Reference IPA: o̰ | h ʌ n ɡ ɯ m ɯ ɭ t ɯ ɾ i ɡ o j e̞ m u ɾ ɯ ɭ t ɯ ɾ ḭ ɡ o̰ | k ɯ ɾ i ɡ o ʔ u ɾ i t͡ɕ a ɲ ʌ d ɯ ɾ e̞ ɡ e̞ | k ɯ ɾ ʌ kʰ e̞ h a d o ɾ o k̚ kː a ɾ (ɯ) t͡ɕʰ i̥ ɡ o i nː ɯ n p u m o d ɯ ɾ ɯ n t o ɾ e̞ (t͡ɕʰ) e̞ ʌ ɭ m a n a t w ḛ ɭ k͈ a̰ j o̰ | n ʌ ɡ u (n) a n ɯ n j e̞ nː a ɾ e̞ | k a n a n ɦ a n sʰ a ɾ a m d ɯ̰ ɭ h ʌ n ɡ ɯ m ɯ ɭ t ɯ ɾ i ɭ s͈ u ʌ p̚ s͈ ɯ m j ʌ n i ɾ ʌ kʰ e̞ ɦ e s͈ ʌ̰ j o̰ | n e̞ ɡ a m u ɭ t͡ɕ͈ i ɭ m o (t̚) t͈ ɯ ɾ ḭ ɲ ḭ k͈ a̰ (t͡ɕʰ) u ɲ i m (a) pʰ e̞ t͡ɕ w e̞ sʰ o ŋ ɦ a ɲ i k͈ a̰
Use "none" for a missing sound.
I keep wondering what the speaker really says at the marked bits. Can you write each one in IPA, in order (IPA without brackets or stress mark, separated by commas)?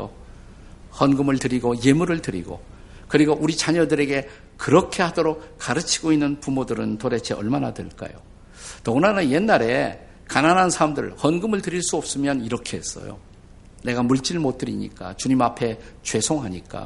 ɯ, t͡ɕʰ, n, t̚, t͡ɕ, a